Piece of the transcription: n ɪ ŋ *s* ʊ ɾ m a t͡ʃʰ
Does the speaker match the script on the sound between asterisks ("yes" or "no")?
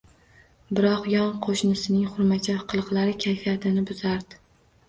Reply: no